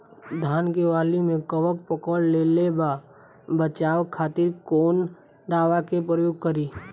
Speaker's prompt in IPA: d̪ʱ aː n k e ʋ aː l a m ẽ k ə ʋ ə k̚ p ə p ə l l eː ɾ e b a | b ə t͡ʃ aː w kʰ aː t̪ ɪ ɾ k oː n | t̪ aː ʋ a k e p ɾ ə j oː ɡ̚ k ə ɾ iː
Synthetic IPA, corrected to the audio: d̪ʱ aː n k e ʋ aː l i m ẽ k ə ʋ ə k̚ p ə k ə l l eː l e b a | b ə t͡ʃ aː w kʰ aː t̪ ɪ ɾ k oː n | d̪ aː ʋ a k e p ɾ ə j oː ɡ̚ k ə ɾ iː

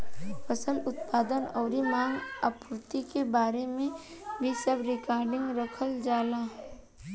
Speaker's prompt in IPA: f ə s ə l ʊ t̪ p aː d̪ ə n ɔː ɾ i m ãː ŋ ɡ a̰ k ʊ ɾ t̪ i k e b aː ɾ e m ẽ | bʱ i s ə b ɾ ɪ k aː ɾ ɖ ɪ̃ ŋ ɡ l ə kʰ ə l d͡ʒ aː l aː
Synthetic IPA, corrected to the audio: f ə s ə l ʊ t̪ p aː d̪ ə n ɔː ɾ i m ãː ŋ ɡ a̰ p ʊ ɾ t̪ i k e b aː ɾ e m ẽ | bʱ i s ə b ɾ ɪ k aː ɾ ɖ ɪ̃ ŋ ɡ ɾ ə kʰ ə l d͡ʒ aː l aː

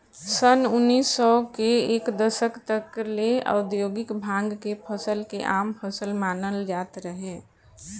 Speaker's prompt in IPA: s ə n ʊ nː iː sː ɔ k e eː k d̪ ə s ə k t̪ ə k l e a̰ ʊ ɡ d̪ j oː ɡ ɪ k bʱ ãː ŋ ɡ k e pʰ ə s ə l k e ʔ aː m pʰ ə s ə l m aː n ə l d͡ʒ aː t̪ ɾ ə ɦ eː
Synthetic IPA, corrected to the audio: s ə n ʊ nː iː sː ɔ k e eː k d̪ ə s ə k t̪ ə k l e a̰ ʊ d̪ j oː ɡ ɪ k bʱ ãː ŋ ɡ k e pʰ ə s ə l k e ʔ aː m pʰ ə s ə l m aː n ə l d͡ʒ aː t̪ ɾ ə ɦ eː

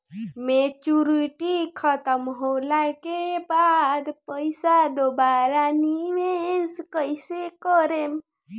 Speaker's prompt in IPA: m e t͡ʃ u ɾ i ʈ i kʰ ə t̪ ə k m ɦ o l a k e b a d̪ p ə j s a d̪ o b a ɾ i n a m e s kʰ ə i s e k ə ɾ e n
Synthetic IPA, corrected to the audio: m e t͡ʃ u ɾ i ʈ i kʰ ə t̪ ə m ɦ o l a k e b a d̪ p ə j s a d̪ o b a ɾ a n i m e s k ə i s e k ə ɾ e m

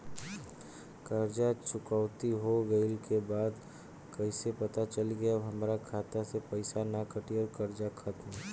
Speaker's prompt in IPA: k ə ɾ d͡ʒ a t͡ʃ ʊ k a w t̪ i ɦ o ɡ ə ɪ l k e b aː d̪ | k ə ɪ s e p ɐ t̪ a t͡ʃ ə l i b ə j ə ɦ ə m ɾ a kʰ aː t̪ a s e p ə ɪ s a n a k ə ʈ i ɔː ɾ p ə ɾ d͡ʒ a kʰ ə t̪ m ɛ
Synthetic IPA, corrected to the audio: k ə ɾ d͡ʒ a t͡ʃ ʊ k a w t̪ i ɦ o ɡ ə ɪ l k e b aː d̪ | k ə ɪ s e p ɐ t̪ a t͡ʃ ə l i ɡ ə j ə ɦ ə m ɾ a kʰ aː t̪ a s e p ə ɪ s a n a k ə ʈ i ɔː ɾ k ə ɾ d͡ʒ a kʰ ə t̪ m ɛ

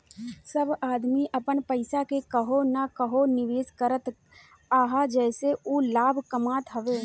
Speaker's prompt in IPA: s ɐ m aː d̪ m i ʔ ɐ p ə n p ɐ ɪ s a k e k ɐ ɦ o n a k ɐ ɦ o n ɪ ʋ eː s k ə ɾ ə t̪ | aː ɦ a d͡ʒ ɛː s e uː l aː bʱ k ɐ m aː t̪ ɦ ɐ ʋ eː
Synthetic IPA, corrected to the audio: s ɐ b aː d̪ m i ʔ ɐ p ə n p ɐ ɪ s a k e k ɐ ɦ o n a k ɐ ɦ o n ɪ ʋ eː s k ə ɾ ə t̪ | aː ɦ a d͡ʒ ɛː s e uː l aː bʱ k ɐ m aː t̪ ɦ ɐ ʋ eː

